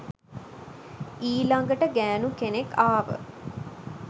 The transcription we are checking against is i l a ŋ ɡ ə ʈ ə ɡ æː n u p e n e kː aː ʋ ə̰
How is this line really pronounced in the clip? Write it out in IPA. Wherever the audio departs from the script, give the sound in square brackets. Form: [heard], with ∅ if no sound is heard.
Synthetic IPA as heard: [iː] l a ŋ ɡ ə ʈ ə ɡ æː n u [k] e n e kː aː ʋ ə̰

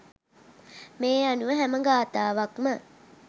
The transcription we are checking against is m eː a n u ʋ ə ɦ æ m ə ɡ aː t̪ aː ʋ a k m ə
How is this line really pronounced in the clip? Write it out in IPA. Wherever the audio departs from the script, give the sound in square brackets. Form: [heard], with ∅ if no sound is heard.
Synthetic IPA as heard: m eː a n u ʋ ə ɦ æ m ə ɡ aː t̪ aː ʋ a k m ə

